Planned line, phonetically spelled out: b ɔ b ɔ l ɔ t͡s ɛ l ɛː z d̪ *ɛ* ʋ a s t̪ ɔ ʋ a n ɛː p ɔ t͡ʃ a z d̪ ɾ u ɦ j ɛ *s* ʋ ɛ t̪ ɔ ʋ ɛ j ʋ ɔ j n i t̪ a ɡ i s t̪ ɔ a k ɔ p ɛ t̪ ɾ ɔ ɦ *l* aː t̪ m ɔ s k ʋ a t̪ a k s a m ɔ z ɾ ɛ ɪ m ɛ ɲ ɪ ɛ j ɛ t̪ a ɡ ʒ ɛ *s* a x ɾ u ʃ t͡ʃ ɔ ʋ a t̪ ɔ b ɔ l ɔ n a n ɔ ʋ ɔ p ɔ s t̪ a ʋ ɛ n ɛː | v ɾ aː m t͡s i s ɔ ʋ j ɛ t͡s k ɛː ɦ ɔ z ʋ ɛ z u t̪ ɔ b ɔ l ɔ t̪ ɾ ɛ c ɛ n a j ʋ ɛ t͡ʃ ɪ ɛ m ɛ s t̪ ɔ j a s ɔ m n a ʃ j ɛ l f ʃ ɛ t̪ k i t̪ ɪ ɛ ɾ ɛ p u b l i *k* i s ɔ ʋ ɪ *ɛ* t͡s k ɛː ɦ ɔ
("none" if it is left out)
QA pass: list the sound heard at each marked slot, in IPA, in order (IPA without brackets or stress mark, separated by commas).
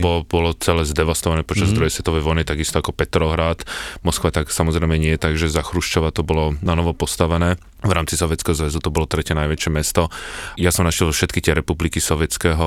ɛ, s, ɾ, z, k, ɛ